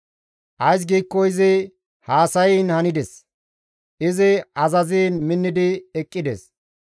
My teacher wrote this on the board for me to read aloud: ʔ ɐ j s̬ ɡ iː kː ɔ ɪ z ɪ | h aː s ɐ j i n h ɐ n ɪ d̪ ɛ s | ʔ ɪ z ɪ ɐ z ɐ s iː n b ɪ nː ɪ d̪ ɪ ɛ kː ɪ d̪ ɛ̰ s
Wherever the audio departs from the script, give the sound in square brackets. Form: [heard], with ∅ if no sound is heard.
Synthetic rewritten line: ʔ ɐ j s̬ ɡ iː kː ɔ ɪ z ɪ | h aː s ɐ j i n h ɐ n ɪ d̪ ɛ s | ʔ ɪ z ɪ ɐ z ɐ [z] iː n [m] ɪ nː ɪ d̪ ɪ ɛ [kʼː] ɪ d̪ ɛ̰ s